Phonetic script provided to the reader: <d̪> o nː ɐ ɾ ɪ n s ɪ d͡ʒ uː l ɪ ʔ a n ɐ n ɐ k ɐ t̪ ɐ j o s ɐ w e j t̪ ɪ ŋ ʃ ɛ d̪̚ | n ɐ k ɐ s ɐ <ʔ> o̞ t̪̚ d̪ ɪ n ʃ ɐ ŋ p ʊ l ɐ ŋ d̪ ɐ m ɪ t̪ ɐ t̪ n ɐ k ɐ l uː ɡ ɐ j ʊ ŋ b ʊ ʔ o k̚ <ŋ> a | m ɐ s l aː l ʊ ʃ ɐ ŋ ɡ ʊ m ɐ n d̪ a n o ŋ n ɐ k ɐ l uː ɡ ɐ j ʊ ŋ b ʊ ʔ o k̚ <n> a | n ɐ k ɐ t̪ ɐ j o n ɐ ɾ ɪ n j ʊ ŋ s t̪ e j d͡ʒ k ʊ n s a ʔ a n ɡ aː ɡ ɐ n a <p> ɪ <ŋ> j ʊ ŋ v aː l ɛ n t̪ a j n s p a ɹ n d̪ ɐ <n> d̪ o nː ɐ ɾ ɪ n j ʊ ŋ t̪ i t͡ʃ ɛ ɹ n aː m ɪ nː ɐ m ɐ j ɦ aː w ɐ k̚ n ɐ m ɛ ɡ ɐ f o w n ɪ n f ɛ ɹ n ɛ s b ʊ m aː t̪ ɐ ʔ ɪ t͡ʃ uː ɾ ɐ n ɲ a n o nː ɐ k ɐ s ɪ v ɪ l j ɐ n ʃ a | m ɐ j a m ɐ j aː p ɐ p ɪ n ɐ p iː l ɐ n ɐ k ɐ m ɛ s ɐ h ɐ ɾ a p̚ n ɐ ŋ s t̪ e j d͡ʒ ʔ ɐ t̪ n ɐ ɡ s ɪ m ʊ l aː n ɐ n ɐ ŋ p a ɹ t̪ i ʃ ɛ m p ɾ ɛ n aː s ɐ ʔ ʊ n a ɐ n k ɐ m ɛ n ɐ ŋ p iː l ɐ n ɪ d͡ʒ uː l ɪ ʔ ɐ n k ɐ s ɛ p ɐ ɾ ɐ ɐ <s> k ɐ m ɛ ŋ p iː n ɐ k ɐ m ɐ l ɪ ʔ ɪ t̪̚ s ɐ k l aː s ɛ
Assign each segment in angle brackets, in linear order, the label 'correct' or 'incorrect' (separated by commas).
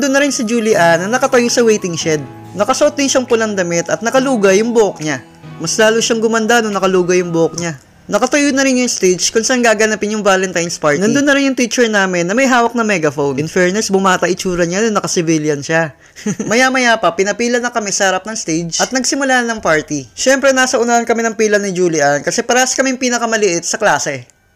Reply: correct, correct, incorrect, incorrect, correct, incorrect, correct, correct